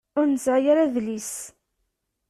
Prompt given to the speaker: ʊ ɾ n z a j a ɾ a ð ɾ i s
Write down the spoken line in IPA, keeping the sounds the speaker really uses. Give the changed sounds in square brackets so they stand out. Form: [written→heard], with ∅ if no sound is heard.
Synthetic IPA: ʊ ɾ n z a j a ɾ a ð [ɾ→l] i s